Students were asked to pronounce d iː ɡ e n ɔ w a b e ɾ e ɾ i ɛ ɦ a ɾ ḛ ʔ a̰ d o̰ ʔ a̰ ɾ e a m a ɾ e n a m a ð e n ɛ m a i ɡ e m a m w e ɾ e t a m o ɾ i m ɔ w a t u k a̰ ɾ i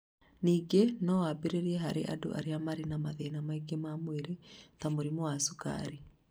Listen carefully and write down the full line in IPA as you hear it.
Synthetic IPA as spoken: n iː ɡ e n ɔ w a b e ɾ e ɾ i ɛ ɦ a ɾ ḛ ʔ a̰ d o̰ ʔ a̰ ɾ e a m a ɾ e n a m a ð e n a m a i ɡ e m a m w e ɾ e t a m o ɾ i m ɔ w a s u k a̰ ɾ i

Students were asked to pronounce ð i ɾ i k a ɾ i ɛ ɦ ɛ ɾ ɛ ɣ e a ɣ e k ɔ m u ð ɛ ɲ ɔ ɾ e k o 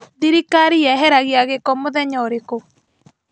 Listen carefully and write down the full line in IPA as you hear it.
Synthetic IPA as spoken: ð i ɾ i k a ɾ i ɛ ɦ ɛ ɾ a ɣ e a ɣ e k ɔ m o ð ɛ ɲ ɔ ɾ e k o

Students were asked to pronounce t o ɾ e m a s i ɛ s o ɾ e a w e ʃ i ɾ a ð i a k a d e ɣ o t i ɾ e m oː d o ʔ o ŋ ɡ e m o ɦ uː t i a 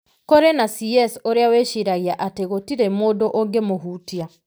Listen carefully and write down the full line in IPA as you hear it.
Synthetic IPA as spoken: k o ɾ e n a s i ɛ s o ɾ e a w e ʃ i ɾ a ɣ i a ʔ a t e ɣ o t i ɾ e m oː d o ʔ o ŋ ɡ e m o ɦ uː t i a

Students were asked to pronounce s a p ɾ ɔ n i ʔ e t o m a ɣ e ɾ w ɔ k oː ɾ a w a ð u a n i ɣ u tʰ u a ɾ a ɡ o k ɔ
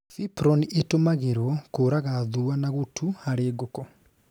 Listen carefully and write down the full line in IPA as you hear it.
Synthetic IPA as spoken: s i p ɾ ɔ n i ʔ e t o m a ɣ e ɾ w ɔ k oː ɾ a ɣ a ð u a n a ɣ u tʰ u a ɾ e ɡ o k ɔ

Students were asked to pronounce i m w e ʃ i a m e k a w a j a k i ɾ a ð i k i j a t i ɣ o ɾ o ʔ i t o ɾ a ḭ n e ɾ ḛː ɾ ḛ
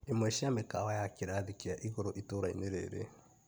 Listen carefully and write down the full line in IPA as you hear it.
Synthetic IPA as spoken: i m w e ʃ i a m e k a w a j a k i ɾ a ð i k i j a ʔ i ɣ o ɾ o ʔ i t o ɾ a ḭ n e ɾ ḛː ɾ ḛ

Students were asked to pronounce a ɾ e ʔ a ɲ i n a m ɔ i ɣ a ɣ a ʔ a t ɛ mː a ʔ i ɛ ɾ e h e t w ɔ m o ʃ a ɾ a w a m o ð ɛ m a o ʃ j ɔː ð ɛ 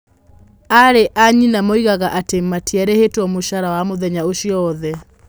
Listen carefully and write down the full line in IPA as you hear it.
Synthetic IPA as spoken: a ɾ e ʔ a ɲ i n a m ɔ i ɣ a ɣ a ʔ a t e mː a t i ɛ ɾ e h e t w ɔ m o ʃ a ɾ a w a m o ð ɛ ɲ a o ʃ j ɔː ð ɛ

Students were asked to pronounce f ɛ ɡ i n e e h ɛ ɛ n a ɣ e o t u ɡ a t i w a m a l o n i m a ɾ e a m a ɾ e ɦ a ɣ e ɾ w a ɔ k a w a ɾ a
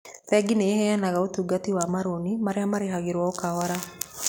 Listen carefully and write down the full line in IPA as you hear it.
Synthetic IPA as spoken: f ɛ ɡ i n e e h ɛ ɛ n a ɣ a o t u ɡ a t i w a m a ɾ o n i m a ɾ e a m a ɾ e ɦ a ɣ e ɾ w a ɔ k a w a ɾ a

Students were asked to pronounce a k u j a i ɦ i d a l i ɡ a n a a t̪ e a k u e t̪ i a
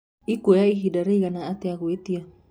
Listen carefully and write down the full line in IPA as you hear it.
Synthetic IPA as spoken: i k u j a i ɦ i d a ɾ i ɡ a n a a t̪ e a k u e t̪ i a

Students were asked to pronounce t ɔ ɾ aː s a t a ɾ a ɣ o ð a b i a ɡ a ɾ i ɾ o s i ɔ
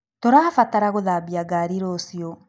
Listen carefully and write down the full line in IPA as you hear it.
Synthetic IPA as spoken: t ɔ ɾ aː f a t a ɾ a ɣ o ð a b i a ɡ a ɾ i ɾ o s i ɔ

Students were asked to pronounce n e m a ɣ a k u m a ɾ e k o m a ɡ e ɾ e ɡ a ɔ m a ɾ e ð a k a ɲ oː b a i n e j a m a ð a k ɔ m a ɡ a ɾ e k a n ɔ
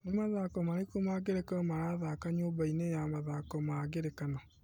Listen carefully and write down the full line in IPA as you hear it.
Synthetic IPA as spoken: n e m a ð a k ɔ m a ɾ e k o m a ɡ e ɾ e k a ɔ m a ɾ a ð a k a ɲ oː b a i n e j a m a ð a k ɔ m a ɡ e ɾ e k a n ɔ

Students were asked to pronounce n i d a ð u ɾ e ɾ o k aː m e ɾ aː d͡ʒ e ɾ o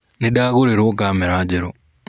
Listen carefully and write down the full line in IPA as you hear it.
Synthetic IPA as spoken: n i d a ɣ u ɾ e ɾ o k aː m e ɾ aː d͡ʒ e ɾ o

